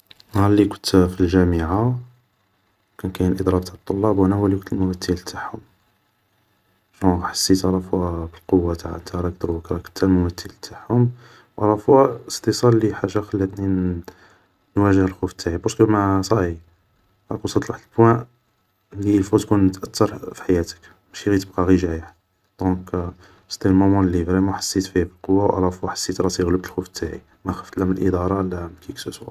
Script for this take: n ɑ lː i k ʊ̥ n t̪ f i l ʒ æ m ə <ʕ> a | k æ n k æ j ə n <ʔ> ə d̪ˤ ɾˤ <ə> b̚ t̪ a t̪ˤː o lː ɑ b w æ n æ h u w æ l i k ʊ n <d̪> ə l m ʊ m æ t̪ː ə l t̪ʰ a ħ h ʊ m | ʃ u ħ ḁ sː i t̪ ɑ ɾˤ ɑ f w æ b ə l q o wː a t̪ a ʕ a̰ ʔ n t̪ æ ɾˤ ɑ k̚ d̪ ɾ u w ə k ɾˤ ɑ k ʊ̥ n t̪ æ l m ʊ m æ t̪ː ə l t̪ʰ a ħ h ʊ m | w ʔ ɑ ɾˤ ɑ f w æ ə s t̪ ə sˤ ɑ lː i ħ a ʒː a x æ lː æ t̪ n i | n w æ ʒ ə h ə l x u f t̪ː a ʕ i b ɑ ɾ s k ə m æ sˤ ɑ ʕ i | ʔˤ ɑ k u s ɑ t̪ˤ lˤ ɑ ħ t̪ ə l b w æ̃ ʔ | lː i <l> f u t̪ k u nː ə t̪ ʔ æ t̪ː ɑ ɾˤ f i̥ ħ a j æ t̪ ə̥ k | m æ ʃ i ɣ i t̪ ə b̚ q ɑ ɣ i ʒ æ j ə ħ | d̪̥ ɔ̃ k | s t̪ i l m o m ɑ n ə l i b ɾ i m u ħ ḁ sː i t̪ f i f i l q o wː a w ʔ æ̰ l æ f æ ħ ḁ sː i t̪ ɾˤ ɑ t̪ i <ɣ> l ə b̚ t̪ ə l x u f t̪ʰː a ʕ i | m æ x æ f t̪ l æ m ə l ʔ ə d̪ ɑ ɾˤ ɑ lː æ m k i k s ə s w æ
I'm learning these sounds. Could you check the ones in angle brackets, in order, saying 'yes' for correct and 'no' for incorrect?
yes, yes, no, no, yes, yes

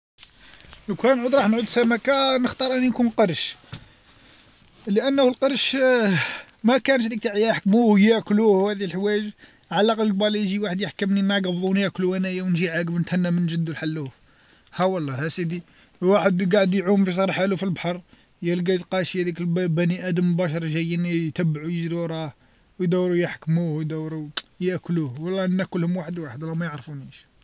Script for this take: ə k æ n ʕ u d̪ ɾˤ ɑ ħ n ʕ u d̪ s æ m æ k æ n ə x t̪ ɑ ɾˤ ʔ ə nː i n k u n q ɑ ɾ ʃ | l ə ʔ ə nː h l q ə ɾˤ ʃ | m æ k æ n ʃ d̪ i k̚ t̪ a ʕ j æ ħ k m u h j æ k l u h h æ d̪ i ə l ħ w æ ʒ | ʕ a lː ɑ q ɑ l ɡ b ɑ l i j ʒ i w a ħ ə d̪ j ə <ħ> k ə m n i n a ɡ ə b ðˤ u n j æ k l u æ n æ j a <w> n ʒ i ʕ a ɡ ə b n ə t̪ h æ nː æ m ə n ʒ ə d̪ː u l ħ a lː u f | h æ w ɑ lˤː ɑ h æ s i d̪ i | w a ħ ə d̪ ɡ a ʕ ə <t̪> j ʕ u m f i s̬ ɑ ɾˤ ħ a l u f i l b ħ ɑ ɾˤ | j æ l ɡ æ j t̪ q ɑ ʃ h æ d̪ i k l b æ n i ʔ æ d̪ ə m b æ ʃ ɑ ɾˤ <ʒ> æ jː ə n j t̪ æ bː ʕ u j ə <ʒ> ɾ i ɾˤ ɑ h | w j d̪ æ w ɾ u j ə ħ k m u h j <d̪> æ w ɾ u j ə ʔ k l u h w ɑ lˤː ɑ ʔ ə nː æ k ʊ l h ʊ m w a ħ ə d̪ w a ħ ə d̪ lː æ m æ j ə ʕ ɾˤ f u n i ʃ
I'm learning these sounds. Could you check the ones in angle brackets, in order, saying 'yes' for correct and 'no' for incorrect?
yes, yes, no, yes, yes, yes

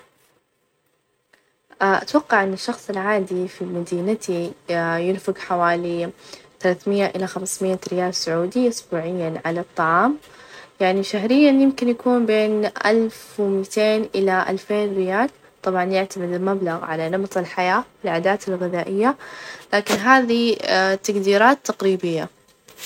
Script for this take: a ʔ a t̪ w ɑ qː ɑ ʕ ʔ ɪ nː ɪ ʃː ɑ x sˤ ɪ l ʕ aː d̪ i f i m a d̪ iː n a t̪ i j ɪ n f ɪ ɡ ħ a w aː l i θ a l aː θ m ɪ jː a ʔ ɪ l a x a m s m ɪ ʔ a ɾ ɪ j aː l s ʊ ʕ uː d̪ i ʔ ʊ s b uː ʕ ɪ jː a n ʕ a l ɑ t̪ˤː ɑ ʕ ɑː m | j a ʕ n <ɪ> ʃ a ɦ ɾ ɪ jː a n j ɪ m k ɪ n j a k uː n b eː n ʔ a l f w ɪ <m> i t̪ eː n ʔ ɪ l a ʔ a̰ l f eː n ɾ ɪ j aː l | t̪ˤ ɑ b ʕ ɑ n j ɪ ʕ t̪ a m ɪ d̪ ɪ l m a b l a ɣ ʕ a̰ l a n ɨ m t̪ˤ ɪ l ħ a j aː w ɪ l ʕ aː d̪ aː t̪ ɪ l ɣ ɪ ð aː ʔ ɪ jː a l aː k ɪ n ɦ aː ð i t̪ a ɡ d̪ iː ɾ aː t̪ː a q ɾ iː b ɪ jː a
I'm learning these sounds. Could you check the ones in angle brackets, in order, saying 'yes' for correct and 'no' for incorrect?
no, yes

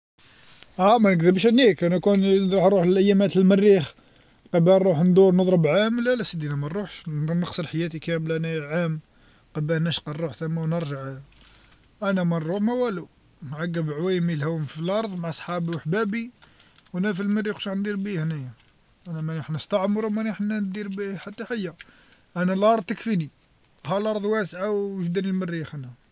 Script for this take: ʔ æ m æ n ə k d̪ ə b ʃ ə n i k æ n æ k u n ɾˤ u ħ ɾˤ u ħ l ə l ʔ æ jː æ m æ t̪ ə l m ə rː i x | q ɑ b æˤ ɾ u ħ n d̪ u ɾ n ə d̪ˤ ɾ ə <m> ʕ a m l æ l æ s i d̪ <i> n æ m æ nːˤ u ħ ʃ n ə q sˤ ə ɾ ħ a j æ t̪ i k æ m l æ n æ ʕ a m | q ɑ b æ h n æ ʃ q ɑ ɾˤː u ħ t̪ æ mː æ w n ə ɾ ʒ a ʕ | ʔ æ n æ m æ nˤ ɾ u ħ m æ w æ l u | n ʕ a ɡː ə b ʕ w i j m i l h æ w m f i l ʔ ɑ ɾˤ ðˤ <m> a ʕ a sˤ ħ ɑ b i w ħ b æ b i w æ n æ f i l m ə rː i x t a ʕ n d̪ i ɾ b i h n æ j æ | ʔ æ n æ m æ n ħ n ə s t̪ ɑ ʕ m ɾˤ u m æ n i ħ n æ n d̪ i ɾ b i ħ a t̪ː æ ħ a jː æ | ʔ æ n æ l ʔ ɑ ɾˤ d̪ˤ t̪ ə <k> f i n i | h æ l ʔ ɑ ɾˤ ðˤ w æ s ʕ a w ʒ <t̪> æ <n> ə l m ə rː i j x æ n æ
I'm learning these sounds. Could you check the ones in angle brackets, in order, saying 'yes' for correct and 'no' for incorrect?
no, yes, yes, yes, no, yes

